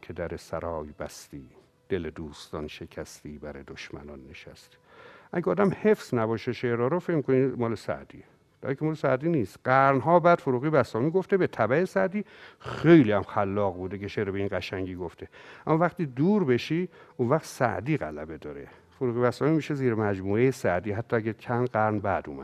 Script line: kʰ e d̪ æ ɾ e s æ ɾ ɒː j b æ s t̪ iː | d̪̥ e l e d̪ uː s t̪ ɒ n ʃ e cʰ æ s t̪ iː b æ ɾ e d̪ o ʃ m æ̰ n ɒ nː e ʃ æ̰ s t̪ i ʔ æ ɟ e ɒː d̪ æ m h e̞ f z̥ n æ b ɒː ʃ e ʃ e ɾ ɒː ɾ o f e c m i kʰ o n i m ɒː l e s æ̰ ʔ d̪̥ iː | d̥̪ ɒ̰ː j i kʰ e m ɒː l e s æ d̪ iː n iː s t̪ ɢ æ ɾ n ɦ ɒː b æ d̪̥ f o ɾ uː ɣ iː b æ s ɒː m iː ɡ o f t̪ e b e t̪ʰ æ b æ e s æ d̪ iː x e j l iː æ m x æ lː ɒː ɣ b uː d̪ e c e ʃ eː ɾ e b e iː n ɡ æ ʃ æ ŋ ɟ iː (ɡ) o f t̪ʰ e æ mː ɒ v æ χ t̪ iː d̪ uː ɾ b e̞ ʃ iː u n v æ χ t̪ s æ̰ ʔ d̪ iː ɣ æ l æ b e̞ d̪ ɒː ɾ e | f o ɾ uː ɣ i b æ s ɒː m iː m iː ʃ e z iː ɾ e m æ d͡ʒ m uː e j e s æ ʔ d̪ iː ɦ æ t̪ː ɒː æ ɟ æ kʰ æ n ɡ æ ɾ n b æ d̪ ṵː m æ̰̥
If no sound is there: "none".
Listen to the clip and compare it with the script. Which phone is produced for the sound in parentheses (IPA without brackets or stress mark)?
ɡ